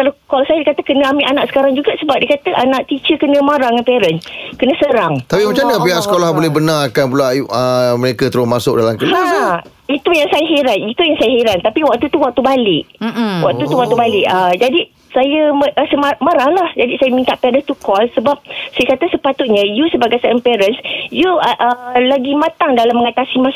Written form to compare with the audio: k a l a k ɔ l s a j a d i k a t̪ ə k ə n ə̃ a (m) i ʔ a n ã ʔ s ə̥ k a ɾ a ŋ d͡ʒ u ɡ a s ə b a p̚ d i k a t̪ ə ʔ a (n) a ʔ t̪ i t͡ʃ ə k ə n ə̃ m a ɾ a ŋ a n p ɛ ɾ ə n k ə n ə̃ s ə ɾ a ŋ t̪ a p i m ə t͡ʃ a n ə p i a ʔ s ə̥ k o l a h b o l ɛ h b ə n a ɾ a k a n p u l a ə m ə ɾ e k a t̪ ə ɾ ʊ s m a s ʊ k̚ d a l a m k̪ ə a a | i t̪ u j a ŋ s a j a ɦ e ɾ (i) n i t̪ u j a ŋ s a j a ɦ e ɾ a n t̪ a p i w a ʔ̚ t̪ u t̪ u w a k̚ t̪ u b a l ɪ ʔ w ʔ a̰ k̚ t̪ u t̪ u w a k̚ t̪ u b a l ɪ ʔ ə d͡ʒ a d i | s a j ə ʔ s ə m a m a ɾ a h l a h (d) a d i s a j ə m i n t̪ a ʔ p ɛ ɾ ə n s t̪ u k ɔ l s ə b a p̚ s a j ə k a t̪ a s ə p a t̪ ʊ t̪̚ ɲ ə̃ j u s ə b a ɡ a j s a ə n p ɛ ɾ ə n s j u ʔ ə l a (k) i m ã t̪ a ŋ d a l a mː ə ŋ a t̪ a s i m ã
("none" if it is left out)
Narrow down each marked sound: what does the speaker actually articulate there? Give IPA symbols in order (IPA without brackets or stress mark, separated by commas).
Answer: m, n, a, d͡ʒ, ɡ